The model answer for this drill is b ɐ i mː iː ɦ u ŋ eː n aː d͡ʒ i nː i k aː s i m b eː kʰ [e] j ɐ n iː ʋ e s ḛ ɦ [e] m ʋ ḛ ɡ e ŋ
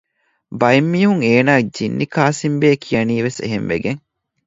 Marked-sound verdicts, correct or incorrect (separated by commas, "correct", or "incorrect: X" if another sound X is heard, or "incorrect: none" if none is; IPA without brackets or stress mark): incorrect: i, correct